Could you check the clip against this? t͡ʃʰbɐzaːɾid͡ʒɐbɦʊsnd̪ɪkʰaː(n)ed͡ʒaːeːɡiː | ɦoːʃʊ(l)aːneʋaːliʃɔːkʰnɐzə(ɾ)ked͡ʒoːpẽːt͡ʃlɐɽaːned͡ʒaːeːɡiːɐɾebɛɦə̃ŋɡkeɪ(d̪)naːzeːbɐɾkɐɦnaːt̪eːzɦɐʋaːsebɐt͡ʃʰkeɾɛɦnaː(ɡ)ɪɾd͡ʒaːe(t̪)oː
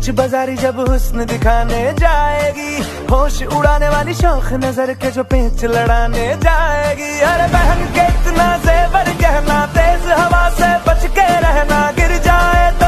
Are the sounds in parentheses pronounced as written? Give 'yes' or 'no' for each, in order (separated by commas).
yes, no, yes, no, yes, yes